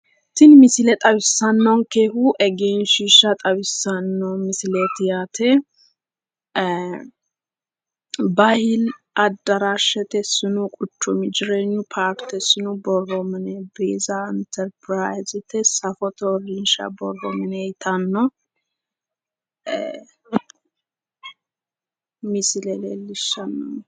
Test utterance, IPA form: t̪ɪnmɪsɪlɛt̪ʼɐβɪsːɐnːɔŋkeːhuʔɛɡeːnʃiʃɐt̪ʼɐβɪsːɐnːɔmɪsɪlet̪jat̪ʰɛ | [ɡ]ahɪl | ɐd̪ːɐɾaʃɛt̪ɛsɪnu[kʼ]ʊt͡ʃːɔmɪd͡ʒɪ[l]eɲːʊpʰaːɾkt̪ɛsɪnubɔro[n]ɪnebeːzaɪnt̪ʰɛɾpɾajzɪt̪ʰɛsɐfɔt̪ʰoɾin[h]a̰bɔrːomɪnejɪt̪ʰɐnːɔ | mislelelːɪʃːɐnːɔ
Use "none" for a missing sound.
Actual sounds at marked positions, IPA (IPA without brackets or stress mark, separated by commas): b, kʼ, ɾ, m, ʃ